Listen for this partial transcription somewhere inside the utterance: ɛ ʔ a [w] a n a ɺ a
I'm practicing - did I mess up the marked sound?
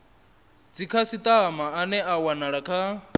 no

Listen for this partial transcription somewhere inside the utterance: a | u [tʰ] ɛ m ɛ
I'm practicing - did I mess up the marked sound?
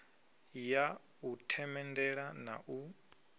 no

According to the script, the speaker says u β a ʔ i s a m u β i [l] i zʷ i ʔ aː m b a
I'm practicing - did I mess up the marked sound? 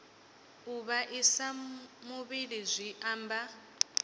no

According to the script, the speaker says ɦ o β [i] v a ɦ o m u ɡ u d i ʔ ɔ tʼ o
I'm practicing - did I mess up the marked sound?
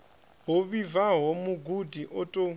no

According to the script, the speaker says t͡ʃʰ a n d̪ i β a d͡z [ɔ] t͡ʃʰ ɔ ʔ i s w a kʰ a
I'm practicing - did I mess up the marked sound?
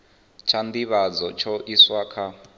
no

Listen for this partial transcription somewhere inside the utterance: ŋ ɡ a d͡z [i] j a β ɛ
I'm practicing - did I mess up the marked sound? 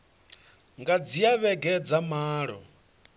no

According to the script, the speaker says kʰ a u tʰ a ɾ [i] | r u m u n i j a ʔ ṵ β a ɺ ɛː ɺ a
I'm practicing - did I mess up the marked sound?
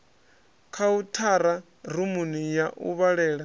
yes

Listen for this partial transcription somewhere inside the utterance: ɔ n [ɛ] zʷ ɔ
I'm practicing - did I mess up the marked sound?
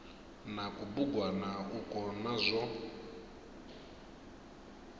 yes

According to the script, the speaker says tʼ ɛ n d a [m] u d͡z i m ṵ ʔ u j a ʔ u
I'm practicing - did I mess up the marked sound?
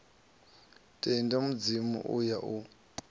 no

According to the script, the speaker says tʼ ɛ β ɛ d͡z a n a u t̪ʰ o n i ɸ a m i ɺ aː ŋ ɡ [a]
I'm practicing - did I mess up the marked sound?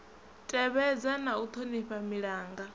no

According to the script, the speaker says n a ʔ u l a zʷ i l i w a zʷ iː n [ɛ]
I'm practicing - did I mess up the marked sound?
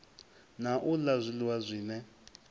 no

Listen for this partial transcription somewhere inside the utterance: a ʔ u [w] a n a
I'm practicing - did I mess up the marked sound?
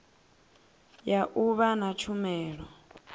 yes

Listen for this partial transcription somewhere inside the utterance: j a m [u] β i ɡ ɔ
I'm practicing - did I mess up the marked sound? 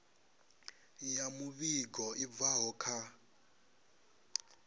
no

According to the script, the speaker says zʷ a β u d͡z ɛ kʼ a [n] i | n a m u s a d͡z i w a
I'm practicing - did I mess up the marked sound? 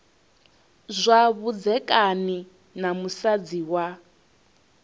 no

